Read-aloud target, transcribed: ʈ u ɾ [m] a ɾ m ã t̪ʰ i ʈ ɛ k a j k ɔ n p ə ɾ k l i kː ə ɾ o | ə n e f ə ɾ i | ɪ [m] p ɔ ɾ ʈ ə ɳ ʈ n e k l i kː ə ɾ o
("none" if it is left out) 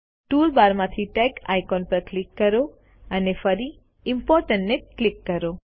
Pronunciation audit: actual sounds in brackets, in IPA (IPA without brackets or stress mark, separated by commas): b, m